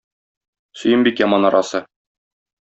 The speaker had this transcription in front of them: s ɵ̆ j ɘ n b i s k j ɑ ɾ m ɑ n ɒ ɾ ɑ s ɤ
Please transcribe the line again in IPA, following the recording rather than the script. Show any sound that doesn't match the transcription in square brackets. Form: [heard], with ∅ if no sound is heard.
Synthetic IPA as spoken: s ɵ̆ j ɘ [m] b i [∅] k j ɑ [∅] m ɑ n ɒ ɾ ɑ s ɤ